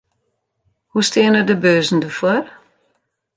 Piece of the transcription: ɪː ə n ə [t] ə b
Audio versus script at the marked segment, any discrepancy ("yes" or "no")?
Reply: yes